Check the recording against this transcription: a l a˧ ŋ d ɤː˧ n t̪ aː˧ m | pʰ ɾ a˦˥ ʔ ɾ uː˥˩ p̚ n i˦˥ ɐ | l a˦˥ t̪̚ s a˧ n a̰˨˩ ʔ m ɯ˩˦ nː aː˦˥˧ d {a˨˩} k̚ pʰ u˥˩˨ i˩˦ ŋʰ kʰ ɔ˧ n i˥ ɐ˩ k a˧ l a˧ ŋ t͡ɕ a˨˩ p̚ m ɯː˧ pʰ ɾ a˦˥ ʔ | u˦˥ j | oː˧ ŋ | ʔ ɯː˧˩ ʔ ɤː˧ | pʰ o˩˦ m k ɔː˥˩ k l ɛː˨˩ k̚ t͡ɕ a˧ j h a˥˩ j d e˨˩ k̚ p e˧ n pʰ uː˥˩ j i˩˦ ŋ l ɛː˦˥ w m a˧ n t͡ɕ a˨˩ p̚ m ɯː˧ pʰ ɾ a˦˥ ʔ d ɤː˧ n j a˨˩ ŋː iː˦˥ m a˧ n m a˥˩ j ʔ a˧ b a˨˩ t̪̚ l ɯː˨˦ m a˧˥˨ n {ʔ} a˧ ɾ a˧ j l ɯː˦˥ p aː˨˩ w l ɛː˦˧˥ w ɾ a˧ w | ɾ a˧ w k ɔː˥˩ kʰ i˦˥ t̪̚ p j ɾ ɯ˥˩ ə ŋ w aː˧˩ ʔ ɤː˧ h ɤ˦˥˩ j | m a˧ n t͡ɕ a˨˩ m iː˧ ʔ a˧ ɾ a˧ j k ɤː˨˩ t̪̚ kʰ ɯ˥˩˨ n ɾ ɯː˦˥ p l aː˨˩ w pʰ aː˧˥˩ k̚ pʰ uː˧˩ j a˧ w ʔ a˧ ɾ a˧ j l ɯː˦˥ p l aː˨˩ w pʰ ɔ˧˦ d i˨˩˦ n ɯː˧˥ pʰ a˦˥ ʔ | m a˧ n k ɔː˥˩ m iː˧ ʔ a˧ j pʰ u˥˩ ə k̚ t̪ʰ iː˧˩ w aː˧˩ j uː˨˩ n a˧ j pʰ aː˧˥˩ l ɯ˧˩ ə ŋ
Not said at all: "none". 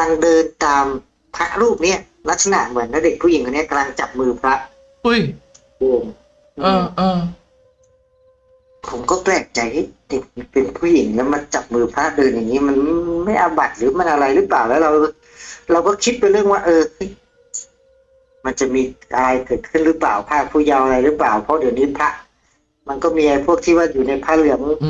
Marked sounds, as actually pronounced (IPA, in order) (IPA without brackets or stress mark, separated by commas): e˨˩, ʔ